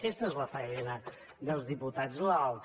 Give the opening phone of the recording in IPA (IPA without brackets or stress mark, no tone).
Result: k